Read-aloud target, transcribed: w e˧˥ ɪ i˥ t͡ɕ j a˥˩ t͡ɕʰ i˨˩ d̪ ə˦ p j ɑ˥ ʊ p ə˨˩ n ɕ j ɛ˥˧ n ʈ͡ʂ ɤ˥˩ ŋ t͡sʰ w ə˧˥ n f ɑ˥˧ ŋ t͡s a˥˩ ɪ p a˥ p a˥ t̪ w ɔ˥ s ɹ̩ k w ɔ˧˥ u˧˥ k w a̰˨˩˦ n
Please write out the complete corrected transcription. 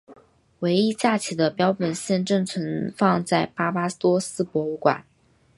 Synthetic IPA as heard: w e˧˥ ɪ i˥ t͡ɕ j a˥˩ t͡ɕʰ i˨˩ d̪ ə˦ p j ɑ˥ ʊ p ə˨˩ n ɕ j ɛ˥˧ n ʈ͡ʂ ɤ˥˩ ŋ t͡sʰ w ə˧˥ n f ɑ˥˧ ŋ t͡s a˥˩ ɪ p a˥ p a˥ t̪ w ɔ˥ s ɹ̩ p w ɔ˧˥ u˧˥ k w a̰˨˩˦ n